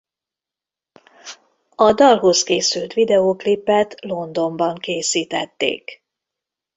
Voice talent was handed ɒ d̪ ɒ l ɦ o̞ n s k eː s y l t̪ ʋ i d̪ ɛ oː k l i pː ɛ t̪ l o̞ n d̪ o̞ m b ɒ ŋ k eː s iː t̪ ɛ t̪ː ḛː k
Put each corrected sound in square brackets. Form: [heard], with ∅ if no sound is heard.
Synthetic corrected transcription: ɒ d̪ ɒ l ɦ o̞ [∅] s k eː s y l t̪ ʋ i d̪ ɛ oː k l i pː ɛ t̪ l o̞ n d̪ o̞ m b ɒ ŋ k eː s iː t̪ ɛ t̪ː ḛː k